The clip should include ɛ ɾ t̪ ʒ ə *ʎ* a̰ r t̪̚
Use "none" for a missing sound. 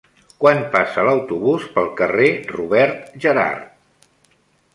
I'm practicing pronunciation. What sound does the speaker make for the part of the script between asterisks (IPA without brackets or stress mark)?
ɾ